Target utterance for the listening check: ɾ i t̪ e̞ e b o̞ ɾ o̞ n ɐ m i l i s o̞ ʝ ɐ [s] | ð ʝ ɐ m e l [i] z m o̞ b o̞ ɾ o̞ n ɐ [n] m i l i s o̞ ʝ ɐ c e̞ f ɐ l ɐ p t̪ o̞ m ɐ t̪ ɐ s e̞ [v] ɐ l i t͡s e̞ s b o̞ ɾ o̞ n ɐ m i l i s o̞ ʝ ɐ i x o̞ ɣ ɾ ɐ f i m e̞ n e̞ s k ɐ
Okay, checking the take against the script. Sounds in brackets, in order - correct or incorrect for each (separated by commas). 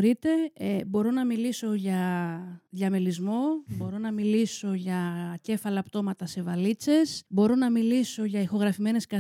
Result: incorrect, correct, incorrect, correct